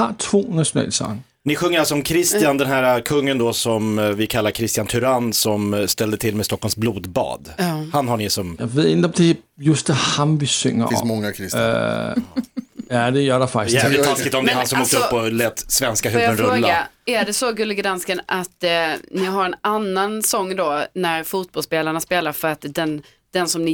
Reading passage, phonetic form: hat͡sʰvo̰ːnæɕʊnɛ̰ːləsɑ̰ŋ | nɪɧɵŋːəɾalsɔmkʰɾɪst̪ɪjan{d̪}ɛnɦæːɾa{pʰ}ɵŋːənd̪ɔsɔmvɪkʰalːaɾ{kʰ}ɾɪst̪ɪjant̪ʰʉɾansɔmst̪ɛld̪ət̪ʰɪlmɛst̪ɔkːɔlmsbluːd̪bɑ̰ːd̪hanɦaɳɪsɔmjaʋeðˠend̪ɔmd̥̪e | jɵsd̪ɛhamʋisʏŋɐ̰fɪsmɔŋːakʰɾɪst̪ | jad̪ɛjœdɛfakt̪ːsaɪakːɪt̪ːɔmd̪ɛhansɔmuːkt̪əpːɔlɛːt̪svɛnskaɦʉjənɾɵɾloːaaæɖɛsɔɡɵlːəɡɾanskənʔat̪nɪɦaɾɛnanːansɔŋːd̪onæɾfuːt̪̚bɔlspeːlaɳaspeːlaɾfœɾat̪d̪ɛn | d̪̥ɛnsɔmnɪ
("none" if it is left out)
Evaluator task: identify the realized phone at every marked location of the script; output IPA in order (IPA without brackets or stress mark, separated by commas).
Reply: d̪, kʰ, kʰ